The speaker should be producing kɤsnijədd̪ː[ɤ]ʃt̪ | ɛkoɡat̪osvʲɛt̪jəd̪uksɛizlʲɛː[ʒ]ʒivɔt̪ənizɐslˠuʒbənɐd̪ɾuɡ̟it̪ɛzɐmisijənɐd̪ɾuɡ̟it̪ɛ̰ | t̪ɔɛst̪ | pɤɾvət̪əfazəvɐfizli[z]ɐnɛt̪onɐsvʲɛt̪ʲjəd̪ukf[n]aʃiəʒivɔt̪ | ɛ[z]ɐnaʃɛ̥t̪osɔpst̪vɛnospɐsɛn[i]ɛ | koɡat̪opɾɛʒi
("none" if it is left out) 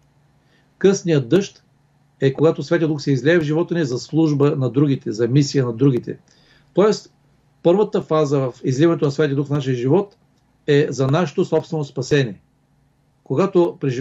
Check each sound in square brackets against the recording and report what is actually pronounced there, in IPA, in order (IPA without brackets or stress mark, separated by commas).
ɤ, v, v, n, z, i